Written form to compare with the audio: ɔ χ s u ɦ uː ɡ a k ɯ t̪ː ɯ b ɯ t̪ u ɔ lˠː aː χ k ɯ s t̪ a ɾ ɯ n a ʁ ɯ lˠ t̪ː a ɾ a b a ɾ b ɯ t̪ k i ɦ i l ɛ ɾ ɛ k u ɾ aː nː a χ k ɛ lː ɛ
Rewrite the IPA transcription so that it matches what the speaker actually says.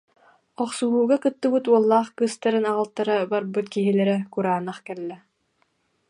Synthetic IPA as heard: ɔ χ s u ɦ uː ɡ a k ɯ t̪ː ɯ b ɯ t̪ u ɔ lˠː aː χ k ɯ s t̪ a ɾ ɯ n a ʁ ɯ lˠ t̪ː a ɾ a b a ɾ b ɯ t̪ k i ɦ i l ɛ ɾ ɛ k u ɾ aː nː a χ k ɛ lː ɛ